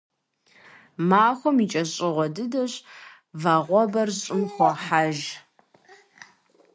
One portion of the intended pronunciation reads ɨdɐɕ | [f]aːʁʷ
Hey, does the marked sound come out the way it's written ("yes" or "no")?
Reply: no